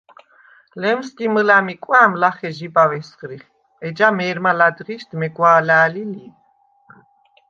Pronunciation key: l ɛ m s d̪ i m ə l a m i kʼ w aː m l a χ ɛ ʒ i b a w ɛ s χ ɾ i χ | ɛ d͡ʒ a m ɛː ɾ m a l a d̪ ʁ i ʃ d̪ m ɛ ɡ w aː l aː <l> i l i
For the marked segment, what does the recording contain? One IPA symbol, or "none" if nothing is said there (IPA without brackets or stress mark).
l